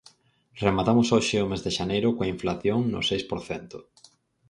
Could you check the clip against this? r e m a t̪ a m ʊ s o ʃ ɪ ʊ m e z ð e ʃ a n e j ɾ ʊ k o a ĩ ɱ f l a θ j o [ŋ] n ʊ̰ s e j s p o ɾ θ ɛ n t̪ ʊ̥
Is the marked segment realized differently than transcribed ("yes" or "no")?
no